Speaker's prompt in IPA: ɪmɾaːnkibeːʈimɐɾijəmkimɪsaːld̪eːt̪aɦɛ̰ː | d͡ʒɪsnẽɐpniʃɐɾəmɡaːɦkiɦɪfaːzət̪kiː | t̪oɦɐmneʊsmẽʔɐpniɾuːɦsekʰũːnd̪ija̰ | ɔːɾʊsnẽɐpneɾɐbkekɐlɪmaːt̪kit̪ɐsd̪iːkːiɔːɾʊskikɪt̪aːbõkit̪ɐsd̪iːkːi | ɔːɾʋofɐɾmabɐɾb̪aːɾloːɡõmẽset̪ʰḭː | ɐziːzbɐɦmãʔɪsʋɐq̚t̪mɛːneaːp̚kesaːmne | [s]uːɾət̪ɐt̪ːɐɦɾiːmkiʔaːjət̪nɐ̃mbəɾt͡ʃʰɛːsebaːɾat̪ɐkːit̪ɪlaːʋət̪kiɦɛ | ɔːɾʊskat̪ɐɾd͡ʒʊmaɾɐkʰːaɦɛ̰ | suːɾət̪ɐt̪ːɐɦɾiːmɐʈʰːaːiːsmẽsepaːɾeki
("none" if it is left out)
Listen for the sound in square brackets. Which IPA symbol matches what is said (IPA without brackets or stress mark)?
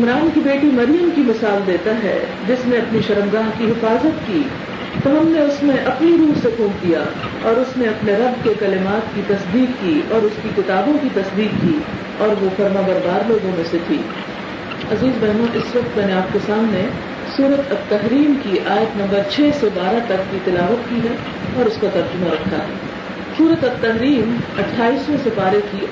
s